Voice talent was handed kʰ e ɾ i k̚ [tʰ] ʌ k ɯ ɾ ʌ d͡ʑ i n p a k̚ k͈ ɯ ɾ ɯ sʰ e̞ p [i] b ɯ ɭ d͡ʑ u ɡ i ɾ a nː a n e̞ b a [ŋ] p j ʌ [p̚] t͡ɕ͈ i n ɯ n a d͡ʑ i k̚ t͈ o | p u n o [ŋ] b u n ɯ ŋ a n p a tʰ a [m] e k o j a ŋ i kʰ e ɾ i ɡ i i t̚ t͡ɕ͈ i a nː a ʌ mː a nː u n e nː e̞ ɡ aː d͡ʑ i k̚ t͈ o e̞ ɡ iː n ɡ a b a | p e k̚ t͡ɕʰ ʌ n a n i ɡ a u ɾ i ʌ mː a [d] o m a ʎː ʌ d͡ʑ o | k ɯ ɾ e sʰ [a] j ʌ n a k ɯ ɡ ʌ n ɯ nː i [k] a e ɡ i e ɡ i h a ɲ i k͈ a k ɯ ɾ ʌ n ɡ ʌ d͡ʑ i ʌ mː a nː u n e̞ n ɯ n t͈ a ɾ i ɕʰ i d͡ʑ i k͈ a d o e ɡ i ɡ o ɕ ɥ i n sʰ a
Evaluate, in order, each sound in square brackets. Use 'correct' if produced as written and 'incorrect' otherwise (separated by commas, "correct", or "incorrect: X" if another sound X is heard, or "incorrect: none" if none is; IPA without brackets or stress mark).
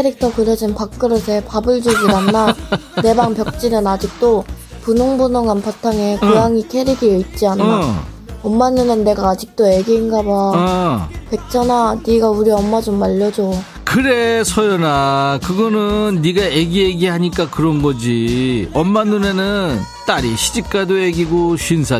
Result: correct, incorrect: a, correct, incorrect: k̚, correct, incorrect: ŋ, incorrect: d͡ʑ, incorrect: ʌ, incorrect: ɡ